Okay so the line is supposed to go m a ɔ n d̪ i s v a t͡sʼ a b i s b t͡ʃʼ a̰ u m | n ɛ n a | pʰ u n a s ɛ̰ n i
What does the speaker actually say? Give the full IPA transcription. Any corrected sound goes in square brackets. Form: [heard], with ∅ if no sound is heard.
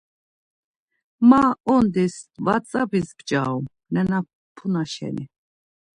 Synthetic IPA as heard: m a ɔ n d̪ i s v a t͡sʼ a b i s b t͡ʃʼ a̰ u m | n ɛ n a | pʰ u n a [ʃ] ɛ̰ n i